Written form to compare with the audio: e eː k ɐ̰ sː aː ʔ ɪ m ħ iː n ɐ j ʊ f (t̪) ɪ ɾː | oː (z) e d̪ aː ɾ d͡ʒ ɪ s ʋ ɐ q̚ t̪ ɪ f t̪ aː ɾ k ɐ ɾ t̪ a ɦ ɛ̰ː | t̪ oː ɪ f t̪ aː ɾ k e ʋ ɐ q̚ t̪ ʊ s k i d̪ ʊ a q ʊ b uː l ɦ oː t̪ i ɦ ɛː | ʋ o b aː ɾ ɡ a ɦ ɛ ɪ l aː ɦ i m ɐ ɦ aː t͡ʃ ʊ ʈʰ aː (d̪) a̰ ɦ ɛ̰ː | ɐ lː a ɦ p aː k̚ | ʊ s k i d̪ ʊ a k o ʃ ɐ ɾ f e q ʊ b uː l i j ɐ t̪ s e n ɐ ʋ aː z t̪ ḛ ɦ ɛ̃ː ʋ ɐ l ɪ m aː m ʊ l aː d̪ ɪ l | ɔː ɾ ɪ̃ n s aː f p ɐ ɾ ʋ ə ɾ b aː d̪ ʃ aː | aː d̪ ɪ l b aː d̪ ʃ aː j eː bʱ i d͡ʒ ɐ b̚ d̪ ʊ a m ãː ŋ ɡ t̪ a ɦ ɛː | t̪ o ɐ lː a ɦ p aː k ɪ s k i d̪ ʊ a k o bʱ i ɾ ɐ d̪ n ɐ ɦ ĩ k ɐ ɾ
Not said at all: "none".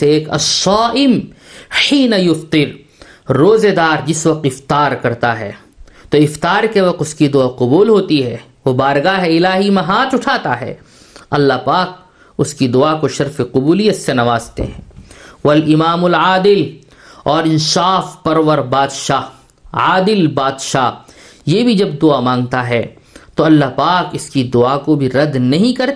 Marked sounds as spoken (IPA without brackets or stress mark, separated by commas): t̪, z, t̪